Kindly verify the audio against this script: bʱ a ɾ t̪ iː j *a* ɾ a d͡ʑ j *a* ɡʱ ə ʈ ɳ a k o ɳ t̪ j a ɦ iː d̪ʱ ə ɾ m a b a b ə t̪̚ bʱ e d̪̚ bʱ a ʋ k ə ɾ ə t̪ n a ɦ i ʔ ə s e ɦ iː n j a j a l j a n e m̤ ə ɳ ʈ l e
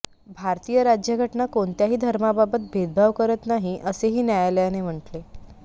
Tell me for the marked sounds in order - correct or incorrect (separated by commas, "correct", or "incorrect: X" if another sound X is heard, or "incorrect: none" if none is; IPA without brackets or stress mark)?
incorrect: ə, incorrect: ə